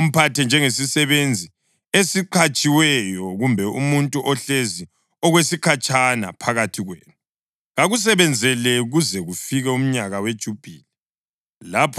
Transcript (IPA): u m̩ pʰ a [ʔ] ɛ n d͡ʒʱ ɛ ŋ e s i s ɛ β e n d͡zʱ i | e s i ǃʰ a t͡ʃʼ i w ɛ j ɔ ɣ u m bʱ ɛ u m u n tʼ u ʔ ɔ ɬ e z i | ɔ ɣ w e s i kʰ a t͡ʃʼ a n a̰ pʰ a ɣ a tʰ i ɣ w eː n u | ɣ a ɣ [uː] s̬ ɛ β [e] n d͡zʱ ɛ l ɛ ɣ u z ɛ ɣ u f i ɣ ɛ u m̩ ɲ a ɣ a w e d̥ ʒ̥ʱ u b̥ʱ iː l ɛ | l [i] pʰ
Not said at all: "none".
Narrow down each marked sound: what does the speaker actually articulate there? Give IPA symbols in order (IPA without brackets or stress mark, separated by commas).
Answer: t, u, ɛ, a